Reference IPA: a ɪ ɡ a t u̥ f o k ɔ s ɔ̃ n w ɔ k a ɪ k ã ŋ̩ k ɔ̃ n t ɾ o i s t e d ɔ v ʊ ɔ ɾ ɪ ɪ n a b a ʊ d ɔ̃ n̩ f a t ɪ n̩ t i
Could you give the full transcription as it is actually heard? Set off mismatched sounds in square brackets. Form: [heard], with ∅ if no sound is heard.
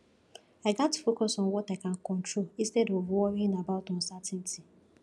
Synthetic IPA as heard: a ɪ ɡ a t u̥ f o k ɔ s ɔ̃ n w ɔ [t] a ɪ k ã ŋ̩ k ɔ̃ n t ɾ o i s t e d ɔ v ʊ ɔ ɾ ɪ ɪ n a b a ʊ [t] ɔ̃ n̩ [s] a t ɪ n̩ t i